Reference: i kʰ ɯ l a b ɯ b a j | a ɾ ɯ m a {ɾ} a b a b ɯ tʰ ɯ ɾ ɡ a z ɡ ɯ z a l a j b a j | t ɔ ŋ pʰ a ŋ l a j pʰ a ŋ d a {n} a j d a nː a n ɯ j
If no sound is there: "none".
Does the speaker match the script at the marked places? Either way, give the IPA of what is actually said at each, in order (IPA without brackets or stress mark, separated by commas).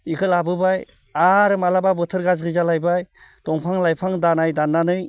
l, n